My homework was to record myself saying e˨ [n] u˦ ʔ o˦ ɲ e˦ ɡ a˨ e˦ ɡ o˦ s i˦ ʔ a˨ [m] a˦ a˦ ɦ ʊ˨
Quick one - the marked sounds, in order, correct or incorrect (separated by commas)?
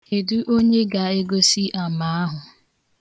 incorrect, correct